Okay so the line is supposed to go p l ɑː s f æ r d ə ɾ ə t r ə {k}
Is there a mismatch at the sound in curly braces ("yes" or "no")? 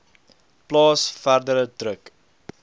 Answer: no